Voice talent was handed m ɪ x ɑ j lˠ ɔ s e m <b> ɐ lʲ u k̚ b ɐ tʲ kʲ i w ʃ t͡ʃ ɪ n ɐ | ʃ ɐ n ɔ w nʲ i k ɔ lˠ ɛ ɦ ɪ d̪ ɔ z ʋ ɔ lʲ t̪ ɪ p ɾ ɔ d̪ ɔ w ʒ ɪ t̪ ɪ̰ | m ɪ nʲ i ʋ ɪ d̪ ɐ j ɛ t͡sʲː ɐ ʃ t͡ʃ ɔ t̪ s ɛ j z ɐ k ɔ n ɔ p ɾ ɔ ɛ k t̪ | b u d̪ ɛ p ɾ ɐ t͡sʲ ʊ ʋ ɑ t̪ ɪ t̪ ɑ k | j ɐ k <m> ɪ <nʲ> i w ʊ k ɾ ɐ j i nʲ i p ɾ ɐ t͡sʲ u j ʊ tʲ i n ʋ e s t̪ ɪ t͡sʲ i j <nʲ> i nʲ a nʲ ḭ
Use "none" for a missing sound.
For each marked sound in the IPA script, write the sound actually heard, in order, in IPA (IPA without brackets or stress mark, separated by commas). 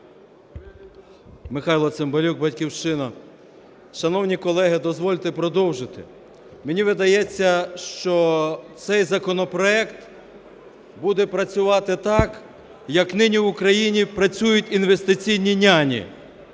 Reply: b, n, nʲ, nʲ